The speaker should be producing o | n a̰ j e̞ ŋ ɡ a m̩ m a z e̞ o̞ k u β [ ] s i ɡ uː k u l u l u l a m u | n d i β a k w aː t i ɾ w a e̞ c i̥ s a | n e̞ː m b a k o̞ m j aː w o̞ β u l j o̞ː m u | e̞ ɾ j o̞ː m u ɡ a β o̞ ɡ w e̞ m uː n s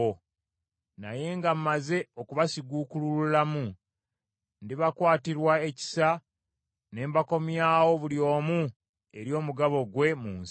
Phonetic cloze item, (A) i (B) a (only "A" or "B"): B